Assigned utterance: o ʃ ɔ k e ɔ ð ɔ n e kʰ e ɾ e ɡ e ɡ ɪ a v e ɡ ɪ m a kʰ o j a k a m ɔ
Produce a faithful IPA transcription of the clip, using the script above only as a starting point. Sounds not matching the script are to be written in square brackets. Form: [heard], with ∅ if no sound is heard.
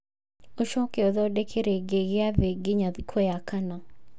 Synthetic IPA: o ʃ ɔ k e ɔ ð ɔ [d] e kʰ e ɾ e ɡ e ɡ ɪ a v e ɡ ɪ [ɲ] a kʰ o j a k a [n] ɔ